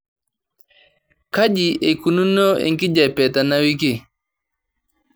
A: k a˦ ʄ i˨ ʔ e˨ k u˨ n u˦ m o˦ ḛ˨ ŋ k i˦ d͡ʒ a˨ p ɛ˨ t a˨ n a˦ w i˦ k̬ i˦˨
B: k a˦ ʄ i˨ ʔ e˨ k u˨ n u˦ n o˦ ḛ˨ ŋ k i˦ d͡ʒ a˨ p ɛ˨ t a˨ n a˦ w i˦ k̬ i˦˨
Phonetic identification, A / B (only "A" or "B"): B